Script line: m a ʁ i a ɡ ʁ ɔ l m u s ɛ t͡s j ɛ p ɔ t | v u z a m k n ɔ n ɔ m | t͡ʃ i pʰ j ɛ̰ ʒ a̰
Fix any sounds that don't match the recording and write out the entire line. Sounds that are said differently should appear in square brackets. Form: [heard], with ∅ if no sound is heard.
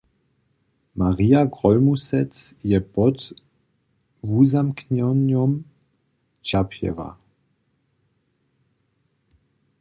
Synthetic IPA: m a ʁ i a ɡ ʁ ɔ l m u s ɛ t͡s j ɛ p ɔ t | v u z a m k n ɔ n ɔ m | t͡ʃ [a] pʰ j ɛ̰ [v] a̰